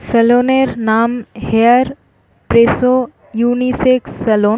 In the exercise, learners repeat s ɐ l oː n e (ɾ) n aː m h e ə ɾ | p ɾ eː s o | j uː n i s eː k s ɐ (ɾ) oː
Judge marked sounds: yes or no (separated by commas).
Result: yes, no